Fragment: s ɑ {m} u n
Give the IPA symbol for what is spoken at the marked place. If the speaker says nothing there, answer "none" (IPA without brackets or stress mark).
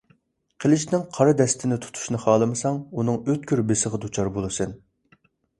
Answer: ŋ